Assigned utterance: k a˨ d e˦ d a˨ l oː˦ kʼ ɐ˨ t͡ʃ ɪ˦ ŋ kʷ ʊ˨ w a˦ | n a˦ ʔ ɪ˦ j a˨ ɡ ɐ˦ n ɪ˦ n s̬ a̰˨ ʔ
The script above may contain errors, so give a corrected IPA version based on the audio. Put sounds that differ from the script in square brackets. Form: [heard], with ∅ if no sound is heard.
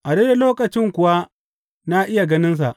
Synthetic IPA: [ʔ] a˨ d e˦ d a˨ l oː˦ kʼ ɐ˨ t͡ʃ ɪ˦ ŋ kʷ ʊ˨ w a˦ | n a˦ ʔ ɪ˦ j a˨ ɡ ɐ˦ n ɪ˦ n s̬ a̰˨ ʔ